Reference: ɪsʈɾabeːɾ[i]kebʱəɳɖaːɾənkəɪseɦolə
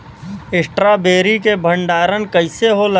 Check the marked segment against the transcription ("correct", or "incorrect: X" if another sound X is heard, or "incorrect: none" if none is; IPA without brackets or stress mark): correct